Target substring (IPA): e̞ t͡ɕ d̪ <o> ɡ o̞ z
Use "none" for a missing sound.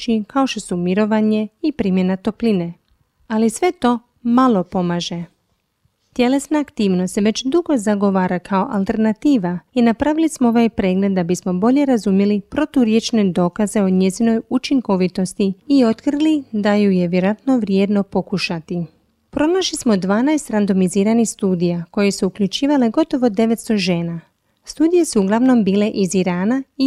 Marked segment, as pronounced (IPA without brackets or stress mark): u